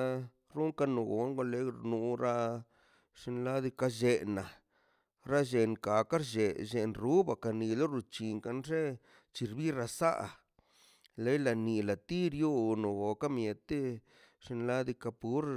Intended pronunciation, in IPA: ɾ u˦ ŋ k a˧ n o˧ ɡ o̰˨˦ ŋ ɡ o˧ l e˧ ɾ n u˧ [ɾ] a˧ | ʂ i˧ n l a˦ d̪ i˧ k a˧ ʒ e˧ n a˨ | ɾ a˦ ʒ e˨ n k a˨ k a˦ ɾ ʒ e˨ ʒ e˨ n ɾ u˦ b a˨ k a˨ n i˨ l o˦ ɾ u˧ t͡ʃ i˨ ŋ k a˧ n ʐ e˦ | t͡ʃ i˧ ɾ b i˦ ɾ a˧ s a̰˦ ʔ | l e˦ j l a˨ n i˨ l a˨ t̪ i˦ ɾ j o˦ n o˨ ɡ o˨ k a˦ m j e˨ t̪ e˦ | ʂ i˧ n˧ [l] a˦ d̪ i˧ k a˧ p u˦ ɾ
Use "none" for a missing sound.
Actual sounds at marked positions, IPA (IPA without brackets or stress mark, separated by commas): ɾ, l